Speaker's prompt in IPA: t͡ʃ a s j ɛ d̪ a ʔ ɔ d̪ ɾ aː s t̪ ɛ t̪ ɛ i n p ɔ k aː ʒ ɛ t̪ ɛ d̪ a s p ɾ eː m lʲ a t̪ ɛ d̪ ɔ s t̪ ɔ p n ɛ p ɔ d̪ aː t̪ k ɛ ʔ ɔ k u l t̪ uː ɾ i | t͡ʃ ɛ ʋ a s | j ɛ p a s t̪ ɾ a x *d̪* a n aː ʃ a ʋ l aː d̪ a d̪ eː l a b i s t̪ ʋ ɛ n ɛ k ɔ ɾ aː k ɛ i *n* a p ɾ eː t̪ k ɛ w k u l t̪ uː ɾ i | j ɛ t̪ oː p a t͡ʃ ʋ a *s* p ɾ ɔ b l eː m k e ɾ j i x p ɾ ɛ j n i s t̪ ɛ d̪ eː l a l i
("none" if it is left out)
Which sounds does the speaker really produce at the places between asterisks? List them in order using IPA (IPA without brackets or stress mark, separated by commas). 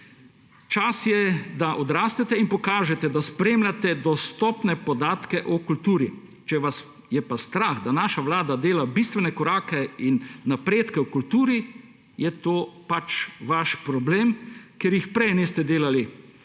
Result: d̪, nː, ʃ